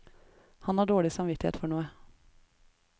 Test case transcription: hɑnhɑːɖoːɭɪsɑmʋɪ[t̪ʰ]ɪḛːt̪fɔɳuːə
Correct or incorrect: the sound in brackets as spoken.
incorrect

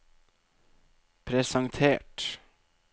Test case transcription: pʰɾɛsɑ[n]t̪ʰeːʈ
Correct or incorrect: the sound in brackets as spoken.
incorrect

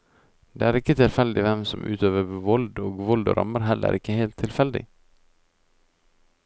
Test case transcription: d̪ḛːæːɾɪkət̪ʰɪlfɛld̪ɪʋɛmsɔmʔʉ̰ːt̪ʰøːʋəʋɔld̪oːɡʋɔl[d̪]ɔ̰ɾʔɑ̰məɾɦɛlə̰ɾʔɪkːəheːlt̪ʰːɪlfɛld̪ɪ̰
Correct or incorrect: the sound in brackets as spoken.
correct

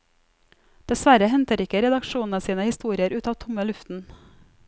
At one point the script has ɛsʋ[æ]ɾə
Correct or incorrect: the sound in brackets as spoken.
correct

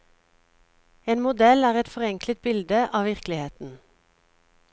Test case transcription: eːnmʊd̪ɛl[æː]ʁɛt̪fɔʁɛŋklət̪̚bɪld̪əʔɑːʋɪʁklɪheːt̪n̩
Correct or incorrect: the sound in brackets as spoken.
correct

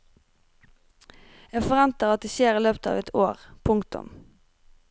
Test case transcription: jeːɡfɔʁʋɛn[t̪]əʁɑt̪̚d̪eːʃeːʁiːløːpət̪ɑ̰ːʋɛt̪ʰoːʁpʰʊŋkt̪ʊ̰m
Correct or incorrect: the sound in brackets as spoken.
correct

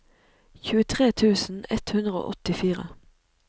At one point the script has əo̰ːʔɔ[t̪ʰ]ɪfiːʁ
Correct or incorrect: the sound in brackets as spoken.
incorrect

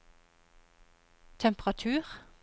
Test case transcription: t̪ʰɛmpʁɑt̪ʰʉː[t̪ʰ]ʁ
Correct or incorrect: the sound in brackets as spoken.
incorrect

